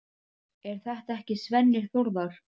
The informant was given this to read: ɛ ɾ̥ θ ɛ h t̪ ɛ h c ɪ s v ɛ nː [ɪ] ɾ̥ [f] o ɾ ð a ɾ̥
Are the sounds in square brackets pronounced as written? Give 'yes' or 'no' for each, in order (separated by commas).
yes, no